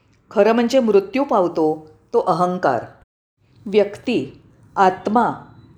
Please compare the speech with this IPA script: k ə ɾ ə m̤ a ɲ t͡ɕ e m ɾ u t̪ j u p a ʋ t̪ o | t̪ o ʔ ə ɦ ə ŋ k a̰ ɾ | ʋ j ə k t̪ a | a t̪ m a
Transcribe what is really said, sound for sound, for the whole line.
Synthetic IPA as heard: kʰ ə ɾ ə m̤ ə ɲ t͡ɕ e m ɾ u t̪ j u p a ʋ t̪ o | t̪ o ʔ ə ɦ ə ŋ k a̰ ɾ | ʋ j ə k t̪ i | a t̪ m a